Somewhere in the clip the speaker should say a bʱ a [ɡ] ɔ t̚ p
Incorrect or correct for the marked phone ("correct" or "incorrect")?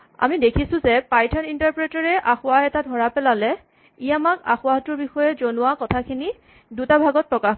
correct